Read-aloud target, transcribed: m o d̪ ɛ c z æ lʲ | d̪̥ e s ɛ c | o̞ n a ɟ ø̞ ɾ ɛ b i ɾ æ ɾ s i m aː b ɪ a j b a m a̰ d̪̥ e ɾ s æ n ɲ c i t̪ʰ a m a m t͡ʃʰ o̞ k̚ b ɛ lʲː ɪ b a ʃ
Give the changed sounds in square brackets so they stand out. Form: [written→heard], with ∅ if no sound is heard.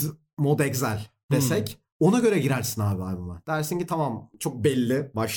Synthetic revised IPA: m o d̪ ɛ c z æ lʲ | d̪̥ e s ɛ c | o̞ n a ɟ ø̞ ɾ ɛ [b→ɟ] i ɾ æ ɾ s i [m→n] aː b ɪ a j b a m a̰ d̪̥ [e→æ] ɾ s [æ→i] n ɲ c i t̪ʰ a m a m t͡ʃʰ o̞ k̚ b ɛ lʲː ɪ b a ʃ